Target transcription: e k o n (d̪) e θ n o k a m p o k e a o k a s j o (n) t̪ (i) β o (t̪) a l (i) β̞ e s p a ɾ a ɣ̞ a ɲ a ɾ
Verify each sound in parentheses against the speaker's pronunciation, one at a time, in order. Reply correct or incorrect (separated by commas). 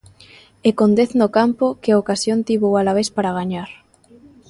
correct, correct, correct, incorrect, incorrect